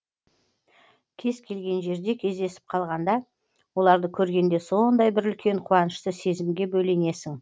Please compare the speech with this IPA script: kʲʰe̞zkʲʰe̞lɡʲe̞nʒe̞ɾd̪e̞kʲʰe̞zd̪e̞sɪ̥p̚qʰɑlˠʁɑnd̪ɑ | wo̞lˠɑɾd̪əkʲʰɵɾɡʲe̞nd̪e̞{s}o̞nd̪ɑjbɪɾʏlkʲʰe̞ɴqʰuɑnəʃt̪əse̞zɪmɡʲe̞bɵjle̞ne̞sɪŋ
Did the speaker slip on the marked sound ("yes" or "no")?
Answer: no